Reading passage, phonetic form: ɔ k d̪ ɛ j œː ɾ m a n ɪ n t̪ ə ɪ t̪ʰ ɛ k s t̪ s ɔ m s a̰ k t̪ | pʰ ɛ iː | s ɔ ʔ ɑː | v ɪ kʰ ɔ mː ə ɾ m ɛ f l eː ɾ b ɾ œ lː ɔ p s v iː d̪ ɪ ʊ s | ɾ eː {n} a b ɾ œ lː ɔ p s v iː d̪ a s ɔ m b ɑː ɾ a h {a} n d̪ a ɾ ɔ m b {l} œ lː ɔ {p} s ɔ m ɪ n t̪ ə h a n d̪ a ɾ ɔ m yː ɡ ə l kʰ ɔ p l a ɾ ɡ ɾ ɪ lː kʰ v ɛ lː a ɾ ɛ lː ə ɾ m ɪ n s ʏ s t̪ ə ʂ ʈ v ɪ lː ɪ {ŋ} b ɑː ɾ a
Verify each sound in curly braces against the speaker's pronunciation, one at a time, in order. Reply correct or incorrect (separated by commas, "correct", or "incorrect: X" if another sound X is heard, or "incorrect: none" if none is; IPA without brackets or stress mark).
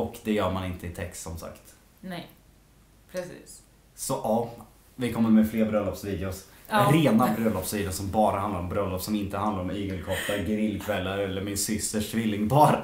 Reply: correct, correct, incorrect: ɾ, correct, correct